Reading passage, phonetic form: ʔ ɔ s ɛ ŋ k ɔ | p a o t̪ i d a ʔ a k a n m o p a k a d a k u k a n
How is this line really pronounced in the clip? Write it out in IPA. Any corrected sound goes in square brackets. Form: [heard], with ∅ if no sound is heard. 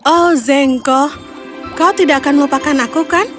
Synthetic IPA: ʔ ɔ [z] ɛ ŋ k ɔ | [k] a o t̪ i d a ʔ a k a n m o p a k a [n] a k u k a n

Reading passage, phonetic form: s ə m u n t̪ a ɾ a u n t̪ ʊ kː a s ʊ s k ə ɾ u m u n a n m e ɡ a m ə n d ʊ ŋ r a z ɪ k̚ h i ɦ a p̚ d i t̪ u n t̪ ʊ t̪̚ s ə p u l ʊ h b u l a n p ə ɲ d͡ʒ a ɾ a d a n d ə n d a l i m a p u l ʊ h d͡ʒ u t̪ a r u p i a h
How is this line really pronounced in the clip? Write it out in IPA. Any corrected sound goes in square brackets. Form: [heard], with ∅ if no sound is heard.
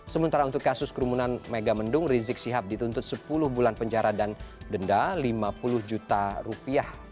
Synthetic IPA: s ə m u n t̪ a ɾ a u n t̪ ʊ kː a s ʊ s k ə ɾ u m u n a n m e ɡ a m ə n d ʊ ŋ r [i] z ɪ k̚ [s] i ɦ a p̚ d i t̪ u n t̪ ʊ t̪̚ s ə p u l ʊ h b u l a n p ə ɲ d͡ʒ a ɾ a d a n d ə n d a l i m a p u l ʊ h d͡ʒ u t̪ a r u p i a h

